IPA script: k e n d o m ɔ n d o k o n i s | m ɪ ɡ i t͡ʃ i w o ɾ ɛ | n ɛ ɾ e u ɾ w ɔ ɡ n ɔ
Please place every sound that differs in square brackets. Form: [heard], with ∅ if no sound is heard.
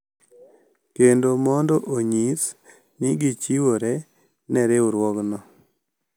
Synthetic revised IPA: k e n d o m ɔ n d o [ʔ] o [ɲ] i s | [n] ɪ ɡ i t͡ʃ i w o ɾ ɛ | n ɛ ɾ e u ɾ w ɔ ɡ n ɔ